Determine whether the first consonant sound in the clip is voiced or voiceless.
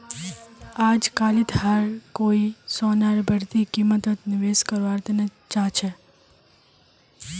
voiced